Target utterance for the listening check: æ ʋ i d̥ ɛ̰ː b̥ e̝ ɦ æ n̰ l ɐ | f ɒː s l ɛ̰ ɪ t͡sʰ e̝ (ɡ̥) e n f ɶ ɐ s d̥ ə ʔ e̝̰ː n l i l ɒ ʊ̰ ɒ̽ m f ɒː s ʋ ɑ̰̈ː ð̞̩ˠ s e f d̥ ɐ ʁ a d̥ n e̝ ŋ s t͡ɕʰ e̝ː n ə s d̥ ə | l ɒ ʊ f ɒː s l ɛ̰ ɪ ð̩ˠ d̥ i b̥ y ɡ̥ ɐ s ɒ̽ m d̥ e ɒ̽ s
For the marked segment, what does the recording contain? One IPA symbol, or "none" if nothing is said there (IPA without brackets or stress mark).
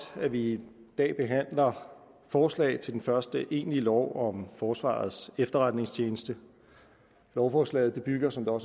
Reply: d̥